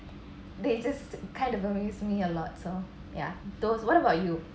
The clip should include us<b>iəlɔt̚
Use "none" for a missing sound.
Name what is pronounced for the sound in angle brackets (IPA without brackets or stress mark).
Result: m